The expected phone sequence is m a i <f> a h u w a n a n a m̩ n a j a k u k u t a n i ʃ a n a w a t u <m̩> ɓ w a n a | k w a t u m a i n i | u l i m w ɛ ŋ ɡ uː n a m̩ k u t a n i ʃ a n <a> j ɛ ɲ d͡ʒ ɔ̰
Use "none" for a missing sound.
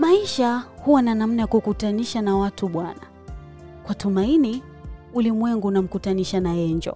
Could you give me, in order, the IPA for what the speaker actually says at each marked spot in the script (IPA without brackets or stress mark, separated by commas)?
ʃ, none, a